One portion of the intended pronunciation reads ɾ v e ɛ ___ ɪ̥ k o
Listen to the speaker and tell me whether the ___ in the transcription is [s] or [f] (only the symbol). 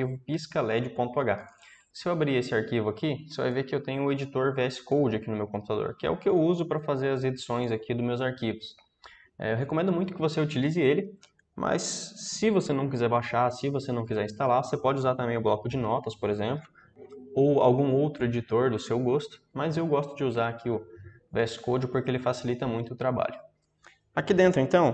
s